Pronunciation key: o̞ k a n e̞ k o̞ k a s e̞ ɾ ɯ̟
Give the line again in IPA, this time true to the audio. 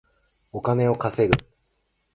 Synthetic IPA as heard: o̞ k a n e̞ o̞ k a s e̞ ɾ ɯ̟